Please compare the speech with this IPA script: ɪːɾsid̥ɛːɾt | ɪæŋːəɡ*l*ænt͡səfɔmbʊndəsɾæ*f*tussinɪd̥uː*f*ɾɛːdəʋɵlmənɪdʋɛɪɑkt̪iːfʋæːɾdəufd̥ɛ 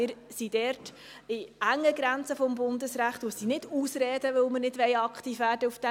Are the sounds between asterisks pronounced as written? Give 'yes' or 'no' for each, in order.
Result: no, no, no

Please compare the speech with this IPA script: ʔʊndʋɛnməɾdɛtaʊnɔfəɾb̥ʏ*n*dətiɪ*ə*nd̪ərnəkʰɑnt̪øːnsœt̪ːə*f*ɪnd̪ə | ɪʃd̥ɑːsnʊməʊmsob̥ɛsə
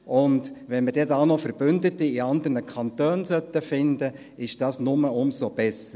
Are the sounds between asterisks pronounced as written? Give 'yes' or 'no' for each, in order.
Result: yes, no, yes

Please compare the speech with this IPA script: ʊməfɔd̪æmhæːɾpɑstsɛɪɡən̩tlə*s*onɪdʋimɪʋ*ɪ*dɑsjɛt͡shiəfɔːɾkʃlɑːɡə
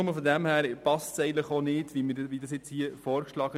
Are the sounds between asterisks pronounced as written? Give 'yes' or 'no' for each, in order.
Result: no, no

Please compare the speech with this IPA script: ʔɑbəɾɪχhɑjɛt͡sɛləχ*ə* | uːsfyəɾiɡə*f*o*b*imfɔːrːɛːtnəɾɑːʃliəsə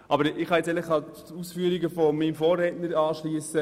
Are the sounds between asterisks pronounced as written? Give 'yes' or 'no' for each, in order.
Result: no, yes, no

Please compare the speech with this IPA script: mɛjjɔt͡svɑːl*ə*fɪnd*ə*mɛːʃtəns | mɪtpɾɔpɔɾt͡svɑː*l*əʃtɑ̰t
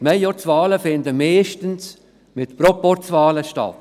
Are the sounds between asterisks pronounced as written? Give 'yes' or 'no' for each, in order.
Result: yes, yes, yes

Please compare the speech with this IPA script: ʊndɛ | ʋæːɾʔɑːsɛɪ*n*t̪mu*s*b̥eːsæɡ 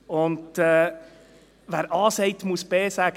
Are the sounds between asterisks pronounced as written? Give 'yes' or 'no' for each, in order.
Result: no, yes

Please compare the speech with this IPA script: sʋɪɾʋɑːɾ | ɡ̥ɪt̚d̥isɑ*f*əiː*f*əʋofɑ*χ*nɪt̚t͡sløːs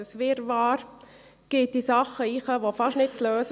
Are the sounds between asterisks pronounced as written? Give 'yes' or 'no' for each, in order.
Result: no, no, no

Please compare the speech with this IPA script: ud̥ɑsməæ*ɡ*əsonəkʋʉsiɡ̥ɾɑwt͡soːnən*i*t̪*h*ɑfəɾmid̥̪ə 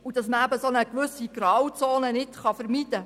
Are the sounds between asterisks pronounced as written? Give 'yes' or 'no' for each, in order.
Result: no, no, no

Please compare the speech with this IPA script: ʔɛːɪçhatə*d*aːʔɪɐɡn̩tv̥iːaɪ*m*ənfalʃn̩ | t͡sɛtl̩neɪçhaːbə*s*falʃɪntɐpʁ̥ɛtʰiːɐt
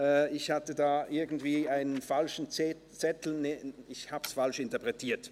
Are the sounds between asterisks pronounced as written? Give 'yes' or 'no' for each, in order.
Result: yes, no, yes

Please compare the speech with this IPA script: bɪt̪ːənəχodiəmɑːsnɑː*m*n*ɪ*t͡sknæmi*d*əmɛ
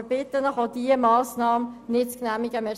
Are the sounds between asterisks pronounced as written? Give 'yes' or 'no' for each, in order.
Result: yes, yes, no

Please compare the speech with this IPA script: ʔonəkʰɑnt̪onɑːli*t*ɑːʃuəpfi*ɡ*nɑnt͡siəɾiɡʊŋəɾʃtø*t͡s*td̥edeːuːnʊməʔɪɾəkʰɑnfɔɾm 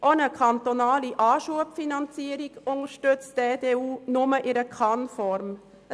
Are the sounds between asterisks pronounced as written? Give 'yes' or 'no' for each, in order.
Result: no, no, yes

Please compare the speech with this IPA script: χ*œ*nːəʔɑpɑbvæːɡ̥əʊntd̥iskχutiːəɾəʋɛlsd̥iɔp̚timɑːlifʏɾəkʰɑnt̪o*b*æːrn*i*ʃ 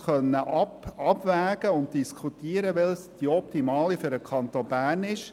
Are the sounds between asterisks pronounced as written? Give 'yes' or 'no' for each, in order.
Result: yes, yes, no

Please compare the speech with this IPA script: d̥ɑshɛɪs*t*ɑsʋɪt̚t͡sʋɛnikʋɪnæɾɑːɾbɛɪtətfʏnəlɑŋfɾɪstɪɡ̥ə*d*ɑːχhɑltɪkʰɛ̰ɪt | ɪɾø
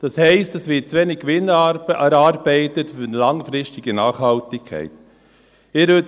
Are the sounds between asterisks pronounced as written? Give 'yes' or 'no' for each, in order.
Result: yes, no

